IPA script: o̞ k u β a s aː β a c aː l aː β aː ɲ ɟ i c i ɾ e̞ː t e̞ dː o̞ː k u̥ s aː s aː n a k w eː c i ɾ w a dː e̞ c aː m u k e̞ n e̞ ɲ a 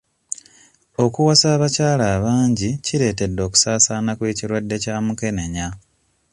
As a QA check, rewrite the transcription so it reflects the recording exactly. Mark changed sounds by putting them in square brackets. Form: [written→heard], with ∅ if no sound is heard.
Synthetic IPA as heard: o̞ k u [β→w] a s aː β a c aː l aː β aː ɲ ɟ i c i ɾ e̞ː t e̞ dː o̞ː k u̥ s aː s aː n a k w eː c i ɾ w a dː e̞ c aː m u k e̞ n e̞ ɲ a